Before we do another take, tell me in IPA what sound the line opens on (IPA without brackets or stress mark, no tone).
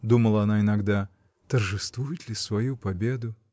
d̪